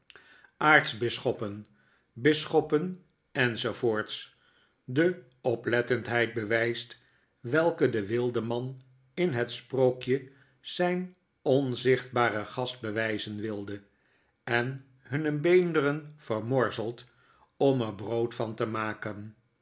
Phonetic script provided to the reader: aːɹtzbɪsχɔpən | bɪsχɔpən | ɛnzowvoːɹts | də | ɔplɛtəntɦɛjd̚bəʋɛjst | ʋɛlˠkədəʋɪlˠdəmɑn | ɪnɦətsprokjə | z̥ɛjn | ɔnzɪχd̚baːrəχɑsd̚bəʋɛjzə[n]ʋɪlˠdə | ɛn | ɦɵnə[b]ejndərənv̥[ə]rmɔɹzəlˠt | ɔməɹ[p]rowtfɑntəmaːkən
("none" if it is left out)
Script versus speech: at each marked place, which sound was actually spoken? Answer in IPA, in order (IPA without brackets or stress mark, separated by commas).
n, b, ə, b